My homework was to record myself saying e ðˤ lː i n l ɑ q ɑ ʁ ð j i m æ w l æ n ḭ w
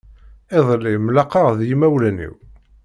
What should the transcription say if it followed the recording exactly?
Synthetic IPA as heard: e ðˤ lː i m l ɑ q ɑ ʁ ð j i m æ w l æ n ḭ w